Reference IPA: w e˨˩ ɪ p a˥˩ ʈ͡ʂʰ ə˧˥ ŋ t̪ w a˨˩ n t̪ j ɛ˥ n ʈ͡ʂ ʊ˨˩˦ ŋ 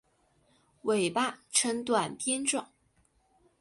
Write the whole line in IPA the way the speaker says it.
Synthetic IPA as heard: w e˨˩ ɪ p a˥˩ ʈ͡ʂʰ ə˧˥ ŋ t̪ w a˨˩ n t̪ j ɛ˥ n ʈ͡ʂ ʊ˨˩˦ ŋ